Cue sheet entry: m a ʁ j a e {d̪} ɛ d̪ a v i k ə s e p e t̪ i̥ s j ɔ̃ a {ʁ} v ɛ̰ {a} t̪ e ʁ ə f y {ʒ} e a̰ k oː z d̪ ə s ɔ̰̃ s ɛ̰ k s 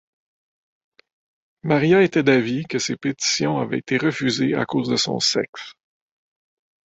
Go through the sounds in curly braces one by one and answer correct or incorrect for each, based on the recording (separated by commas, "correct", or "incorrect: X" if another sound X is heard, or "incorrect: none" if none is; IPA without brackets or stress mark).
incorrect: t̪, incorrect: none, incorrect: e, incorrect: z